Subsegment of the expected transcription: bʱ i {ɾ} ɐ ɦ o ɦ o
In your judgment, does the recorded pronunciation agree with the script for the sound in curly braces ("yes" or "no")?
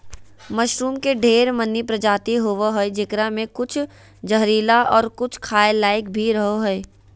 yes